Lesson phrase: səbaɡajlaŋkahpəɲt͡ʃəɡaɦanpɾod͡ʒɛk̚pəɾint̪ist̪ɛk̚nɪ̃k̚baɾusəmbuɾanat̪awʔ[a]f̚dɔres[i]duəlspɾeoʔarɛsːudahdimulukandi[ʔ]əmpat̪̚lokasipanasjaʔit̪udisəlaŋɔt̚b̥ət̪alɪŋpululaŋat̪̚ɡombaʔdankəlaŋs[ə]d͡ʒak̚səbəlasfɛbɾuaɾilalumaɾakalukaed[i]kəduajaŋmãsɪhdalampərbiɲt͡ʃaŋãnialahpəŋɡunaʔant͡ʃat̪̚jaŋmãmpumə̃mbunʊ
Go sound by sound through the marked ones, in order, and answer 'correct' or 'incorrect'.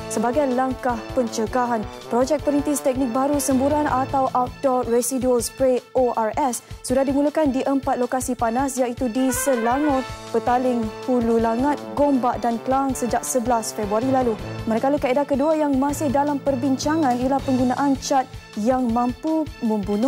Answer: correct, correct, correct, correct, incorrect: a

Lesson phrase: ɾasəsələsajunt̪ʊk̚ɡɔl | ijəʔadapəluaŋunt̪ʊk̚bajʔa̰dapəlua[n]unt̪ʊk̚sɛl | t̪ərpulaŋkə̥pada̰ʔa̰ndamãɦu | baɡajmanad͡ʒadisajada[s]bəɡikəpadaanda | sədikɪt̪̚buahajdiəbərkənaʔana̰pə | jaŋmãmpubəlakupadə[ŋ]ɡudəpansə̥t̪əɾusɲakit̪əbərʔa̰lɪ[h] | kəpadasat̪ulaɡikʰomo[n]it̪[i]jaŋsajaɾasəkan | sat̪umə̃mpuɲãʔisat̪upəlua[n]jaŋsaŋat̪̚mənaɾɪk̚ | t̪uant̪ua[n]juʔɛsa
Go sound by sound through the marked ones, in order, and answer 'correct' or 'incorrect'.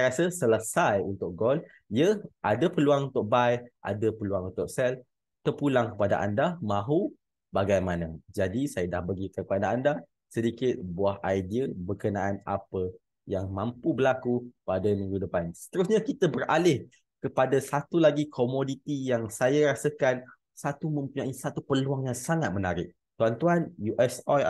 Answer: incorrect: ŋ, incorrect: h, incorrect: n, correct, incorrect: d, correct, incorrect: ŋ, correct

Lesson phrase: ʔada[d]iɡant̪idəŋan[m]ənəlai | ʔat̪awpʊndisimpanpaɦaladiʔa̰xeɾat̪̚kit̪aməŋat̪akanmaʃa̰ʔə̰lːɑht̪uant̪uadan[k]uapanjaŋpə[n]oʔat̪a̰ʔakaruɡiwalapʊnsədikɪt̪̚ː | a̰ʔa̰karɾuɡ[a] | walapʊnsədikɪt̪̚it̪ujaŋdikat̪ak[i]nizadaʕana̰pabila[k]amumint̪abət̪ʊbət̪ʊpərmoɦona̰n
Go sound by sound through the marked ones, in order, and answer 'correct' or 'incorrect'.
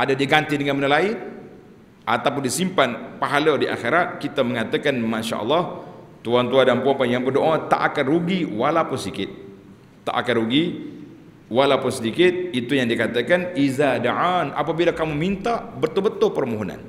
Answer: correct, correct, incorrect: p, incorrect: d, incorrect: i, incorrect: a, correct

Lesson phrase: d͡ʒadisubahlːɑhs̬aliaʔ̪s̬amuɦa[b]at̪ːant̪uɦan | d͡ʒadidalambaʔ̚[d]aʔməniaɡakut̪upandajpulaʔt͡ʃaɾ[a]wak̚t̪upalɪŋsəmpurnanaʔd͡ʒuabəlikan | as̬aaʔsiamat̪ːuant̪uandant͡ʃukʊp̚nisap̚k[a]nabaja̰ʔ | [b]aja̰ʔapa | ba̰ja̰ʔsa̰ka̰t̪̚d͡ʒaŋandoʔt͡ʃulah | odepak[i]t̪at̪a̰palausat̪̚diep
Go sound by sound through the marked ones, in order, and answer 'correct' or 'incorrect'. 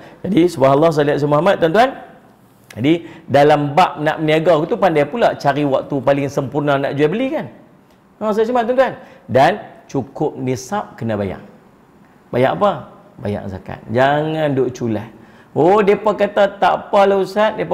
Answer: incorrect: m, incorrect: n, incorrect: i, incorrect: ə, correct, incorrect: a

